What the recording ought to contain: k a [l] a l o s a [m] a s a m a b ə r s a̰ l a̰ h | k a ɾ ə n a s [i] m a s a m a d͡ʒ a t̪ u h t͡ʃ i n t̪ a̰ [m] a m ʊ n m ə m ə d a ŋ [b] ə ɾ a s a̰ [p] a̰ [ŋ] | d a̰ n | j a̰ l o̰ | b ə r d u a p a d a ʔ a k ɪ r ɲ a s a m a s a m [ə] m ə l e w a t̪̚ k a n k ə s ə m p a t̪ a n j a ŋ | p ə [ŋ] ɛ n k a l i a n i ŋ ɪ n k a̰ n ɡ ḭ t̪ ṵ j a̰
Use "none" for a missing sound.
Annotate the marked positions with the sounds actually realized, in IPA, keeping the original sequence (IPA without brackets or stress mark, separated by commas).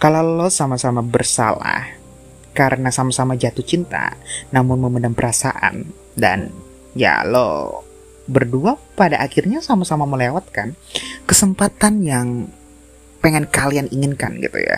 l, m, a, n, p, ʔ, n, a, ŋ